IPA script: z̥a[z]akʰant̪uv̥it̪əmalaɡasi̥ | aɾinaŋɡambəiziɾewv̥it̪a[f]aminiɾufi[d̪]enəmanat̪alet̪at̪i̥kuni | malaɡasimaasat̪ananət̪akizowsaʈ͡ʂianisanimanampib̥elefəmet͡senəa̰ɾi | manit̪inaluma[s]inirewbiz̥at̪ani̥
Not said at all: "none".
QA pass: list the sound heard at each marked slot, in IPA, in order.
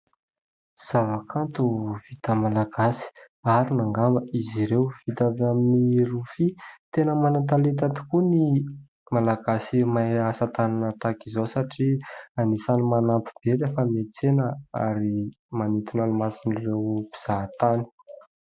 v, v, t̪, s

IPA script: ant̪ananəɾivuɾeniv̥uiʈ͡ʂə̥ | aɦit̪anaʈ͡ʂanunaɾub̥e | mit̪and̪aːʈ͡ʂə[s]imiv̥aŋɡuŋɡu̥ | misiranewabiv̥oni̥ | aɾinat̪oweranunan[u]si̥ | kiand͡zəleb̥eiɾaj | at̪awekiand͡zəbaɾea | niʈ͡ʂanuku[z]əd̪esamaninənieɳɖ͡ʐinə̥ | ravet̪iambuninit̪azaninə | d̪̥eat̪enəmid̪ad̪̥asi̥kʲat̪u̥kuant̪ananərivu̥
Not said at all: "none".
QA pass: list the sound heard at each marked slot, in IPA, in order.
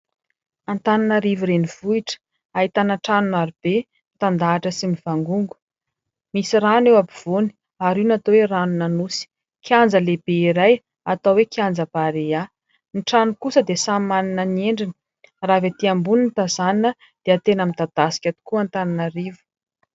s, u, s

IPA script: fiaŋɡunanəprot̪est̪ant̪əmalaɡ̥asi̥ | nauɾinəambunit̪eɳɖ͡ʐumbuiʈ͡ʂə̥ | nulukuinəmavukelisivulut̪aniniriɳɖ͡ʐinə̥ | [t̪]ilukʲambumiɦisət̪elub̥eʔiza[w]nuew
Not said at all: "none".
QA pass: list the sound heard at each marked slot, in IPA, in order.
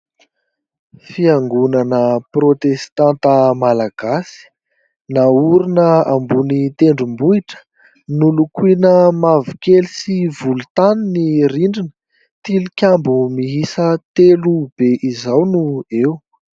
t̪, w

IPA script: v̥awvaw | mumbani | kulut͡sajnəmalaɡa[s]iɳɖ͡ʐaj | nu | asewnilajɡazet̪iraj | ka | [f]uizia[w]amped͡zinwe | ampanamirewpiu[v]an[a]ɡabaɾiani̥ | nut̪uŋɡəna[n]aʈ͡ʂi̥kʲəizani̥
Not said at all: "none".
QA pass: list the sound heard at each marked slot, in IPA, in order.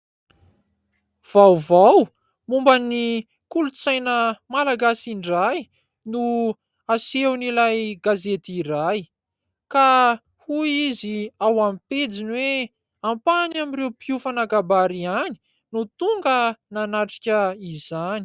s, h, w, f, a, n

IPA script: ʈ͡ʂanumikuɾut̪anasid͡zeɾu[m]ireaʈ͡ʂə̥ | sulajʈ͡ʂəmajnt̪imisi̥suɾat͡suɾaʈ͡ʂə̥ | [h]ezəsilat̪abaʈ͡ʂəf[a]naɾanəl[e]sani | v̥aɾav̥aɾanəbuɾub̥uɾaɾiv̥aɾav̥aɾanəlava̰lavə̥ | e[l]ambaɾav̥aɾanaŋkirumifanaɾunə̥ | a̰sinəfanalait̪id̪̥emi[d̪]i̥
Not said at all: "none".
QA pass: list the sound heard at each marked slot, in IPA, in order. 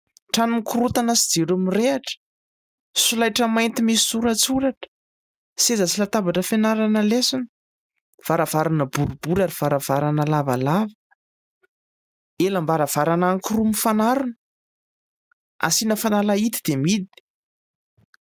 m, s, e, e, l, d̪

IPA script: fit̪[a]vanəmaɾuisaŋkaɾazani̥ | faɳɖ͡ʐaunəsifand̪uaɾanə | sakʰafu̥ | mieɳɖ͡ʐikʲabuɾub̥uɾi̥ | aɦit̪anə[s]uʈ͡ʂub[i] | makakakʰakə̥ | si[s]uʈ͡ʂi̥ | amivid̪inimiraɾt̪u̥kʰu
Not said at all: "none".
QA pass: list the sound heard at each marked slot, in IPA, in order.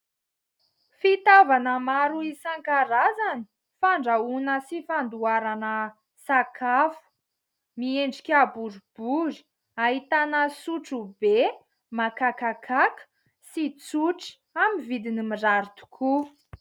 a, s, e, t͡s

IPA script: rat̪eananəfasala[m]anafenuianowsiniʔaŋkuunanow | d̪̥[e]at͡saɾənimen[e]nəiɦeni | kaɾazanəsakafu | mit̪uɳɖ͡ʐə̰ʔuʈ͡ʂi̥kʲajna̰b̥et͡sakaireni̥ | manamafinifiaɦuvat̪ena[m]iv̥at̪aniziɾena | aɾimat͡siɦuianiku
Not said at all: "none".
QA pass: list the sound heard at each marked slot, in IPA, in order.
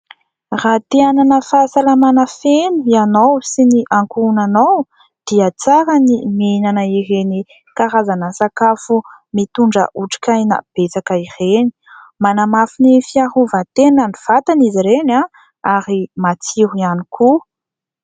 m, i, a, n

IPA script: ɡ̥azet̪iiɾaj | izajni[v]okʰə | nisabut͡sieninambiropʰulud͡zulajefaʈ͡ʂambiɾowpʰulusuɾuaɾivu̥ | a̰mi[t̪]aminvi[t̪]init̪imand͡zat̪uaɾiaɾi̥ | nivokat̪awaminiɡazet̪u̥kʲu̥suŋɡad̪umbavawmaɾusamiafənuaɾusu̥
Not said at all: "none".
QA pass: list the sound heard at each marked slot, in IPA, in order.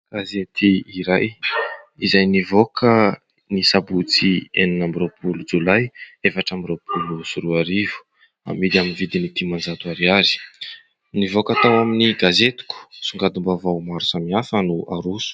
v, d̪, d̪

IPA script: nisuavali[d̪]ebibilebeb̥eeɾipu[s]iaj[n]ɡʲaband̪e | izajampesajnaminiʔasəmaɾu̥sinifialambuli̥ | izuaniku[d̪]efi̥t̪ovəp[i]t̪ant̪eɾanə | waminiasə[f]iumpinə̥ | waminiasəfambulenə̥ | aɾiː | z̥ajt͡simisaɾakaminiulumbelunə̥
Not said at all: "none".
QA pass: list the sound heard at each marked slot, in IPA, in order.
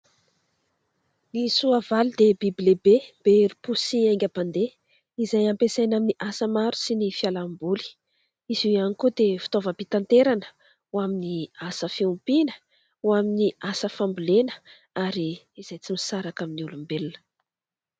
d̪, s, ŋ, d̪, i, f

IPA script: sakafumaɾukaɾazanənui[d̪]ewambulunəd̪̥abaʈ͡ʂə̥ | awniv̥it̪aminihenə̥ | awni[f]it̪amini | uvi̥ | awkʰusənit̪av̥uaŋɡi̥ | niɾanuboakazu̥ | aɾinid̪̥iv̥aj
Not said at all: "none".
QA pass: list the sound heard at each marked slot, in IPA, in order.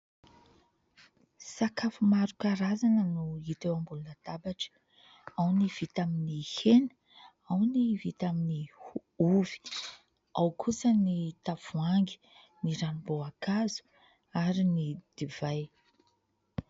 t̪, v

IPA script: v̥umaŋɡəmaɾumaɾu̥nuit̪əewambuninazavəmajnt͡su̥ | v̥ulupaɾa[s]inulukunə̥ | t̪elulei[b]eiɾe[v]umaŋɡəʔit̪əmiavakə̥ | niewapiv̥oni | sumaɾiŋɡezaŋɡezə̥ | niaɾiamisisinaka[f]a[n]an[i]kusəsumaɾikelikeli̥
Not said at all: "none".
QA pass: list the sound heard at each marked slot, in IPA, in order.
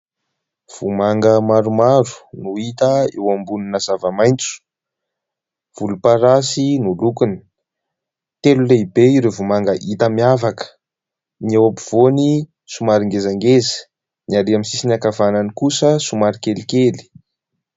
s, b, v, v, n, i

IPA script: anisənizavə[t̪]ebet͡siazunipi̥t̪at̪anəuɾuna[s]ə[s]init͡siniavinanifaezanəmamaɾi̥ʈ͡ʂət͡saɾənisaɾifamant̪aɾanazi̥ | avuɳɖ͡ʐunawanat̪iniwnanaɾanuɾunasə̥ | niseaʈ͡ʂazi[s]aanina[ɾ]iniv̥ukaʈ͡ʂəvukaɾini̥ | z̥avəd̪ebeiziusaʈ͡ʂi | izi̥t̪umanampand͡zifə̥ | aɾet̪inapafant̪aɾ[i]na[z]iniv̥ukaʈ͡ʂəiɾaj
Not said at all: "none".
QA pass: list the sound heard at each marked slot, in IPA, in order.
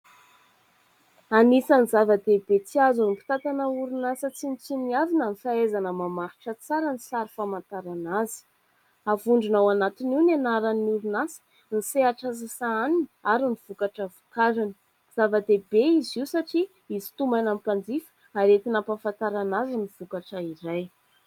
d̪, s, t͡s, s, ɾ, a, z

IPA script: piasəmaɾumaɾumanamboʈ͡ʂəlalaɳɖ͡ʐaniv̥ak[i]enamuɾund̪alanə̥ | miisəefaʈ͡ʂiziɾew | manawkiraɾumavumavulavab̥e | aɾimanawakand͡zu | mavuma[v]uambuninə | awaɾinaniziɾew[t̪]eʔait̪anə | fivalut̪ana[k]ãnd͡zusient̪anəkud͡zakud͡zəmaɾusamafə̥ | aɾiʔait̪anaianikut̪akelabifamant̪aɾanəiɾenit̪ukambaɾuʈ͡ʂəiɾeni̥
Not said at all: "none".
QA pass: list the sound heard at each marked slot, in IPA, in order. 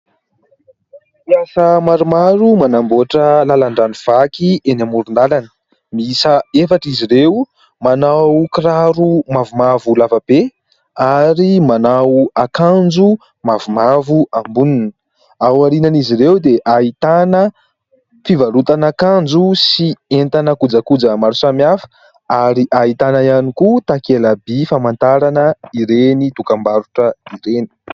i, v, d̪, k

